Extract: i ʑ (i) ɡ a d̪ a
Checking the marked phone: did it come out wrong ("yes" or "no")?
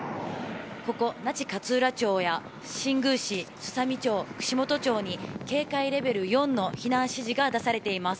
no